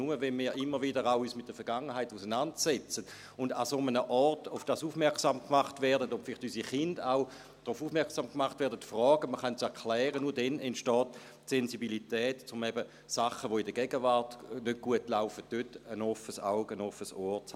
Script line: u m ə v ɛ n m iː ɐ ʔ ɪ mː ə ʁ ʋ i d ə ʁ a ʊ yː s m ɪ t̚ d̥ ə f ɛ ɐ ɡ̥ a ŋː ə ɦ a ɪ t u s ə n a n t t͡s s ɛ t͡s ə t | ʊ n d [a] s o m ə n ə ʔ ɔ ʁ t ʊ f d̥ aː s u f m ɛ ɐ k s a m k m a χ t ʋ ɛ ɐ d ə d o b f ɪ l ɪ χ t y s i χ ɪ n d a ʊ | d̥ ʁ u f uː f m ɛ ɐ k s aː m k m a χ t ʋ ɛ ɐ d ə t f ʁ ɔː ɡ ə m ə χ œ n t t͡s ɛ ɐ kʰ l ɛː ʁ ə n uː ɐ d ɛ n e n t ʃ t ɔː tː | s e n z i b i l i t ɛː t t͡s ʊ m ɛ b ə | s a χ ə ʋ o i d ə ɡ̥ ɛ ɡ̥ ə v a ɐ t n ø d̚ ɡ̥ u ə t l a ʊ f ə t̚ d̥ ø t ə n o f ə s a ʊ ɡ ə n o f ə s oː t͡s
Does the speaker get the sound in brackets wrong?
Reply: no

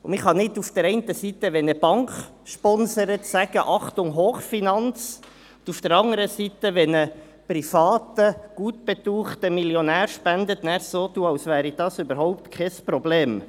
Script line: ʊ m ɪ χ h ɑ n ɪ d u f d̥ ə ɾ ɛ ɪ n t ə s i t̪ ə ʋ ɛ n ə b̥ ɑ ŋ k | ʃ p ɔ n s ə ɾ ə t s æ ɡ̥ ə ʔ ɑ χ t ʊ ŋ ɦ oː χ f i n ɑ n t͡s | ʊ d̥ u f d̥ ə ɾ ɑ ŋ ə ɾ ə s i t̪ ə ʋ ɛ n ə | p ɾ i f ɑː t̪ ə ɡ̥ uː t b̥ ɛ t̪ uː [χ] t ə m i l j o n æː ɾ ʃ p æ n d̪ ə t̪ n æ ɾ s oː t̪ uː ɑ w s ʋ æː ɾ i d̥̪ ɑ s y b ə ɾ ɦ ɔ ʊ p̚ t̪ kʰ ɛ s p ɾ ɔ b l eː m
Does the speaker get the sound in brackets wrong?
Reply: no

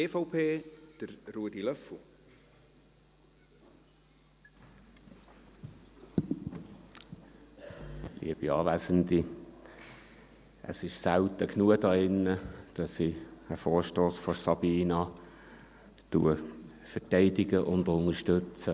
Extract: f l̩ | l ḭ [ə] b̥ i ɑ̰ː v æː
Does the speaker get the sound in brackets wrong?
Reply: no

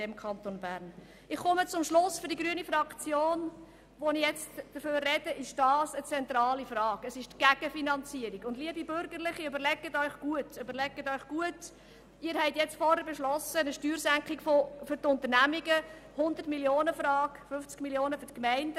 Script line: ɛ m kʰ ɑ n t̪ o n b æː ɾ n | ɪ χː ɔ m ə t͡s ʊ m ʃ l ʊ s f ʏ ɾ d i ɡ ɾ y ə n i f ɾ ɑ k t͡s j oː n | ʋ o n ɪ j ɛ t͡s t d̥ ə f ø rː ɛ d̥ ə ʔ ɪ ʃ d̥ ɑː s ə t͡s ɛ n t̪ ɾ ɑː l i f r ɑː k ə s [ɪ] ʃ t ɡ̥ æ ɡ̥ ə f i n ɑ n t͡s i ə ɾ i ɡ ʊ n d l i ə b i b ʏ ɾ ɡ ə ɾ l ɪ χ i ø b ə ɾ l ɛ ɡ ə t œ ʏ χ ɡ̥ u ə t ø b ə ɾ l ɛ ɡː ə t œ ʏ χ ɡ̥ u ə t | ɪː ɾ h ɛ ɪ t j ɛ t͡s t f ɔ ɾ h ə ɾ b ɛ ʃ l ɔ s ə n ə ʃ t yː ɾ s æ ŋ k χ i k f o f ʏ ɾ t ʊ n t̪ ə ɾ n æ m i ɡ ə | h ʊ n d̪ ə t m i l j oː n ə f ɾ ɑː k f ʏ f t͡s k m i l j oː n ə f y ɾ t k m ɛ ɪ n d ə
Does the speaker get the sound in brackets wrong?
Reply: no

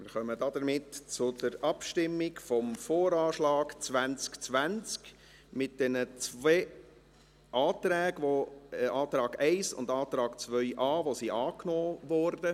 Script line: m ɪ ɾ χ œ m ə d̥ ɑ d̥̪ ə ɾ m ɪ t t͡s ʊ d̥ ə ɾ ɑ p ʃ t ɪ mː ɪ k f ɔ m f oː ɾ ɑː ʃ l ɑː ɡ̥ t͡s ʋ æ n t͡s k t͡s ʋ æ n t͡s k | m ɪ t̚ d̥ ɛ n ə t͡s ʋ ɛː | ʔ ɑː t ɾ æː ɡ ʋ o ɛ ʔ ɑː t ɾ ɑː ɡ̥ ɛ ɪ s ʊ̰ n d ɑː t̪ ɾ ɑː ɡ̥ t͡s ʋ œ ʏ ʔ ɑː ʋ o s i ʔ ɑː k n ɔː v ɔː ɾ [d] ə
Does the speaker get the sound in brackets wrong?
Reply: no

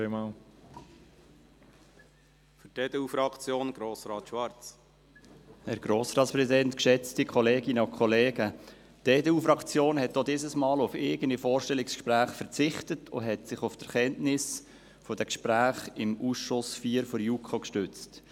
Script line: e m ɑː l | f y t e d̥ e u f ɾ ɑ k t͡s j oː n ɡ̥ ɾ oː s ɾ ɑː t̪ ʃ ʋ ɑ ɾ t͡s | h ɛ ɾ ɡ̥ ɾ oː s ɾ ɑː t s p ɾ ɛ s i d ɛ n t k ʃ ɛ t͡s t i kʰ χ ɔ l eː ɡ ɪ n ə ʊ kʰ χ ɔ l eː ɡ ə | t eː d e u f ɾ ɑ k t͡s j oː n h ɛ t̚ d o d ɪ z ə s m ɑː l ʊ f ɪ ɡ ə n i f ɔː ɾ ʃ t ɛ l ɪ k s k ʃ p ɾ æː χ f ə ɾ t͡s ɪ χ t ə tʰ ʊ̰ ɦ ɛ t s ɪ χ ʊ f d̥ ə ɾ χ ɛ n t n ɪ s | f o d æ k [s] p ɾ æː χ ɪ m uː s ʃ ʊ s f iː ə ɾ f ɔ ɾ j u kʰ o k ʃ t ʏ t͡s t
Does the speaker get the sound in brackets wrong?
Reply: yes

